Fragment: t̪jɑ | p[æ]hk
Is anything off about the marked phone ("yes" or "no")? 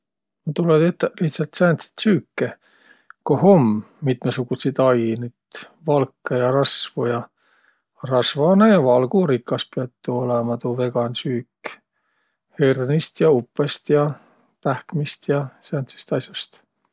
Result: no